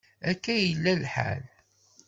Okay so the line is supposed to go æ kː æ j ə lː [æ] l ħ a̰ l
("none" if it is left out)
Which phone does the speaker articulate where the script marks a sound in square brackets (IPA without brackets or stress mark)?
æ